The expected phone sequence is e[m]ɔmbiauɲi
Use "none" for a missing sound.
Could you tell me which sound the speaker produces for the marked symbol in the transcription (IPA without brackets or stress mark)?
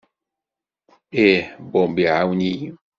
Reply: b